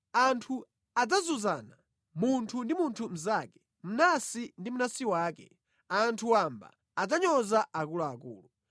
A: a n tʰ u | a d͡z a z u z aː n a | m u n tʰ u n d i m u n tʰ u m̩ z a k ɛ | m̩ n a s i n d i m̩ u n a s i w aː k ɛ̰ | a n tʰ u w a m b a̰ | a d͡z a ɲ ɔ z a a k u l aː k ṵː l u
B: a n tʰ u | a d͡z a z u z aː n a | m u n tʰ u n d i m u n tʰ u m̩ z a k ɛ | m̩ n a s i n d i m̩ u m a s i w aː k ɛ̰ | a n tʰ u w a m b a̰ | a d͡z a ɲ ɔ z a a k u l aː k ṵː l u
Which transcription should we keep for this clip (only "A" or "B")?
A